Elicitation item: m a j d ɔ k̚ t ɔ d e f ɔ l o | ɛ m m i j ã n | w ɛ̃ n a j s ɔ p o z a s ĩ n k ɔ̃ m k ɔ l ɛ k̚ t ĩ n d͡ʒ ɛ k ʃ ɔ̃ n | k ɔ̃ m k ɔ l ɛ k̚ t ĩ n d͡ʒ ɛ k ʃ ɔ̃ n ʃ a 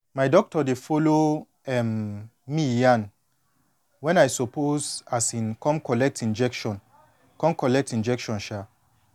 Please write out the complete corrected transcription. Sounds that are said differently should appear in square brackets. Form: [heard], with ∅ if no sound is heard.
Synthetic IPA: m a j d ɔ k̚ t ɔ d e f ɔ l o | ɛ m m i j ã n | w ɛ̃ n a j s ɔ p o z a s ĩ n k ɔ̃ m k ɔ l ɛ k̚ t ĩ n d͡ʒ ɛ k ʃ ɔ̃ n | k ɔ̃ m k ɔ l ɛ k̚ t ĩ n d͡ʒ ɛ k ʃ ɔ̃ n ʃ a